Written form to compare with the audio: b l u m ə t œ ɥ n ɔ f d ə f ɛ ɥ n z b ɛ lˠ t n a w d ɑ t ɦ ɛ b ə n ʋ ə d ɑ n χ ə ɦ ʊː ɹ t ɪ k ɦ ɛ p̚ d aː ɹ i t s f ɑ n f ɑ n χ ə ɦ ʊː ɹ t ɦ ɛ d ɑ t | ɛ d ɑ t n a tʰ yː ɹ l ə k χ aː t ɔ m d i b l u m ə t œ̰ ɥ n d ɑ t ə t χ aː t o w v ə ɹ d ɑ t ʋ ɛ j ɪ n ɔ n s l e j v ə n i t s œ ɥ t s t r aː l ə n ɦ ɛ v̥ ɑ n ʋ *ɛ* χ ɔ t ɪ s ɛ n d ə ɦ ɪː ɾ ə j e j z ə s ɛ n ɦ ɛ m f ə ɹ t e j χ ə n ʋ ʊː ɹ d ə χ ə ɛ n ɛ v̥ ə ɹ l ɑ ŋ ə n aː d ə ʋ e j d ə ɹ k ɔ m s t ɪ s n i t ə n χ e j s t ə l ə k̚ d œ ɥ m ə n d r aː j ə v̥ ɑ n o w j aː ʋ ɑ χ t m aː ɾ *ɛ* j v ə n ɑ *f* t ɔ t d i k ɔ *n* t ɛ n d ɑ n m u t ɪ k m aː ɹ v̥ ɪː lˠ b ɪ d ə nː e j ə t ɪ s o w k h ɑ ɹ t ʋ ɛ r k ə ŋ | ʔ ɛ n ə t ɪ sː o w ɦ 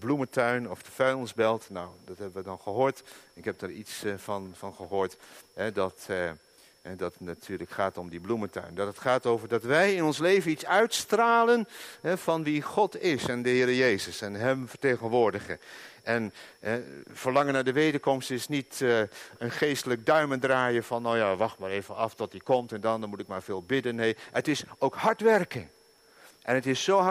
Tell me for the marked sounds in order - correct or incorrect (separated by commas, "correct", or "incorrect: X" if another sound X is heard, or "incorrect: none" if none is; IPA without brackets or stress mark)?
incorrect: i, incorrect: e, correct, incorrect: m